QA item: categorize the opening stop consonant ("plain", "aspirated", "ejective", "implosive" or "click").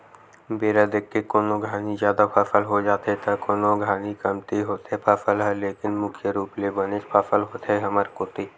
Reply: plain